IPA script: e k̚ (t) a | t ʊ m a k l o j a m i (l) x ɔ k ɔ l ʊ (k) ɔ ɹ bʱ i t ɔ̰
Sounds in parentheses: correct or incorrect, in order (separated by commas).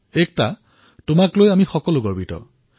correct, incorrect, incorrect